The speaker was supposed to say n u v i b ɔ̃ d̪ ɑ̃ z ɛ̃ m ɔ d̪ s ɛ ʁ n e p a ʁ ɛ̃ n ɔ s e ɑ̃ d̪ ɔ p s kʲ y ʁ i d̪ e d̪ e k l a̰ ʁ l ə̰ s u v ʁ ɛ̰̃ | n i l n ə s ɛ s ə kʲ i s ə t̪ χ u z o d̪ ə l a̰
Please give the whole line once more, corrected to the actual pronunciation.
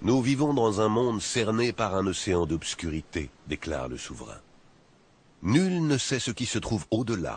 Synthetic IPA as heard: n u v i v ɔ̃ d̪ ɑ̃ z ɛ̃ m ɔ̃ d̪ s ɛ ʁ n e p a ʁ ɛ̃ n ɔ s e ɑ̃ d̪ ɔ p s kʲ y ʁ i t̪ e d̪ e k l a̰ ʁ l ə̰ s u v ʁ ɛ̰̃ | n y l n ə s ɛ s ə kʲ i s ə t̪ χ u v o d̪ ə l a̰